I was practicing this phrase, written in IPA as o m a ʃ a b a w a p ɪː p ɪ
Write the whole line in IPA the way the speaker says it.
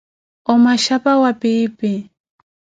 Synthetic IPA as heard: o m a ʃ a p a w a p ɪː p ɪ